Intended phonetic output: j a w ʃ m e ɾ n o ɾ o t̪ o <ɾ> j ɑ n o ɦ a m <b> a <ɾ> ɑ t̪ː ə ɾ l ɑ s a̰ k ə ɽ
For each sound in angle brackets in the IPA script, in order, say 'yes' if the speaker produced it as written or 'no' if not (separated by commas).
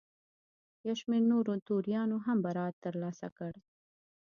yes, yes, yes